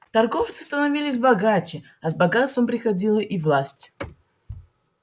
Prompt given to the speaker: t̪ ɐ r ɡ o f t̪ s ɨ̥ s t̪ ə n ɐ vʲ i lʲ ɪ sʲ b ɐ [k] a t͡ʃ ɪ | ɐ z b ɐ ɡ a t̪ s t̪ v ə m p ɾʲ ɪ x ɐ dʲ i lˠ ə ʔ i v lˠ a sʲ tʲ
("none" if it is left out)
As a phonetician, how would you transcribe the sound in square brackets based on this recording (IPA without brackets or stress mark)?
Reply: ɡ